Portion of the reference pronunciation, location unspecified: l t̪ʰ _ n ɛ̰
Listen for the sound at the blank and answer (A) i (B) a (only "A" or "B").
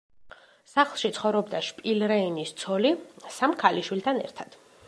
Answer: B